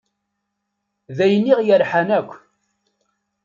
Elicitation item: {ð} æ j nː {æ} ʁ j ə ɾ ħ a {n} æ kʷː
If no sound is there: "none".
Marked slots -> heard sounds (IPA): ð, i, n

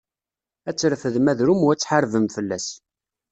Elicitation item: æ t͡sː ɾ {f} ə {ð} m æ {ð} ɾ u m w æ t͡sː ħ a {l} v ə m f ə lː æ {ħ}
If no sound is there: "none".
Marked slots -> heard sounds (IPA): f, ð, ð, ɾ, s

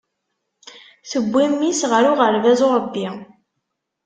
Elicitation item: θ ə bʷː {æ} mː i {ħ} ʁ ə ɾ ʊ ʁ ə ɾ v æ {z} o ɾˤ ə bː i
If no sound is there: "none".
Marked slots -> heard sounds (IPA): i, s, z

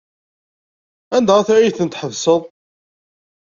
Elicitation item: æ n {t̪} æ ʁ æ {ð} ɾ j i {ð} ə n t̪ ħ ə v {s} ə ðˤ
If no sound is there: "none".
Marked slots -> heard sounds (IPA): d̪, θ, θ, s

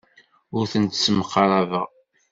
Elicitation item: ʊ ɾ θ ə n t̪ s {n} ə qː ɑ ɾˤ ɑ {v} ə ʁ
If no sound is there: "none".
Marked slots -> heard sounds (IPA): m, v

